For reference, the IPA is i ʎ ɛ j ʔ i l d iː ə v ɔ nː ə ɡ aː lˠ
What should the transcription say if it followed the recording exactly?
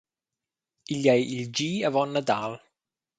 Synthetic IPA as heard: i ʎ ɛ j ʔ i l d͡ʒ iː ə v ɔ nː ə d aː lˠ